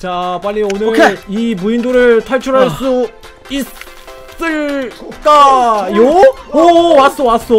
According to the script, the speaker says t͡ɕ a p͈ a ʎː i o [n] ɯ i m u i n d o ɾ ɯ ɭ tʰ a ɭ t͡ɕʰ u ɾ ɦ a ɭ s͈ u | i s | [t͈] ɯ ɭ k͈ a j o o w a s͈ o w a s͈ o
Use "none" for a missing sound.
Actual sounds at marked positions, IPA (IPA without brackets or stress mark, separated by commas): n, s͈